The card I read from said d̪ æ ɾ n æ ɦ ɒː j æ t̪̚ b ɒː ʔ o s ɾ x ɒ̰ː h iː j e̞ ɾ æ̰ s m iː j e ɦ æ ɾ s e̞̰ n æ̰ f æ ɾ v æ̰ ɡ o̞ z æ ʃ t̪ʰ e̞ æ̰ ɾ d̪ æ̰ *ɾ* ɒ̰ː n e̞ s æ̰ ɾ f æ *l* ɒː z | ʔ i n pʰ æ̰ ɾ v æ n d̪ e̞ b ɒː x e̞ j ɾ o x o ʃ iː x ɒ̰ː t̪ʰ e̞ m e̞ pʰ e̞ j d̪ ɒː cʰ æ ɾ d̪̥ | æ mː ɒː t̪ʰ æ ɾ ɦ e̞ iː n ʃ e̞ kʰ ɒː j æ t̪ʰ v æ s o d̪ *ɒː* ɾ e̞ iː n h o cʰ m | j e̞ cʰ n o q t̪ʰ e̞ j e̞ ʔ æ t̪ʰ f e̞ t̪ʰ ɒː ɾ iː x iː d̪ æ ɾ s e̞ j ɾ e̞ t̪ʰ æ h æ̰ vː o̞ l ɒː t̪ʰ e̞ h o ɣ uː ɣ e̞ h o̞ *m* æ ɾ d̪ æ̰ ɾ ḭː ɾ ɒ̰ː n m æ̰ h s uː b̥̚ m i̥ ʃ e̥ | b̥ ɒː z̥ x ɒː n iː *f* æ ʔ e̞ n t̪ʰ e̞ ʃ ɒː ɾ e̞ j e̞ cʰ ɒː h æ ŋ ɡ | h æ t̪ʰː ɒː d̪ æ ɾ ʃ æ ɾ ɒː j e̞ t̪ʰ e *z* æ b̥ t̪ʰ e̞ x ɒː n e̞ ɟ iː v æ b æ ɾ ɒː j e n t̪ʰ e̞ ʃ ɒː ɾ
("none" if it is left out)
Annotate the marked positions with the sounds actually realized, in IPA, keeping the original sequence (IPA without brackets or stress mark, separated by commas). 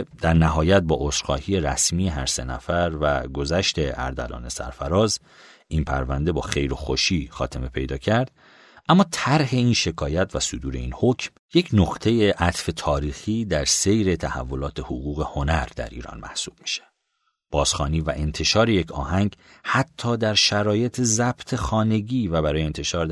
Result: l, ɾ, uː, n, v, z